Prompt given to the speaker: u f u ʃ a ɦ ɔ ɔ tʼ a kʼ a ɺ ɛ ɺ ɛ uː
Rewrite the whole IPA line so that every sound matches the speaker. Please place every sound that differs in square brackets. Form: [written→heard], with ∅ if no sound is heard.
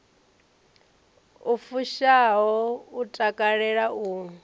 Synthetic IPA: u f u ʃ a ɦ ɔ [ɔ→u] tʼ a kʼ a ɺ ɛ ɺ [ɛ→a] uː